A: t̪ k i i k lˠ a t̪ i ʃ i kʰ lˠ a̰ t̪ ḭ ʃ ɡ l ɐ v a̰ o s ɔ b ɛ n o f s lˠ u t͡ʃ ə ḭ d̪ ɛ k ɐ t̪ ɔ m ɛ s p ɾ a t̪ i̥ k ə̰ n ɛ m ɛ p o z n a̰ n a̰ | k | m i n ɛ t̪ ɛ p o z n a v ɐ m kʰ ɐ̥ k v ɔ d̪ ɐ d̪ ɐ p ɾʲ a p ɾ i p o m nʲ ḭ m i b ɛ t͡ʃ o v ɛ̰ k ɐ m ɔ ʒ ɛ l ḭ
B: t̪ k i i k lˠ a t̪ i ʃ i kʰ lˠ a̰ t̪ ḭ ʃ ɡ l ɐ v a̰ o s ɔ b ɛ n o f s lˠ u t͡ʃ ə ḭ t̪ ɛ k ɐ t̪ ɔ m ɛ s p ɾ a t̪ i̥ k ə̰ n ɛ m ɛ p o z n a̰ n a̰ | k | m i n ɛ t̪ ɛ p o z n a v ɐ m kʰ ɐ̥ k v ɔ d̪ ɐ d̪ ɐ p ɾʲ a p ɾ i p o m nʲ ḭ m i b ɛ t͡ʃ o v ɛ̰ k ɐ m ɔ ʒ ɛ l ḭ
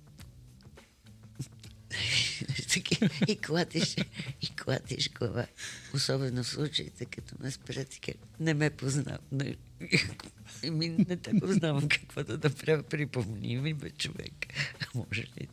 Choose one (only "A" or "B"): B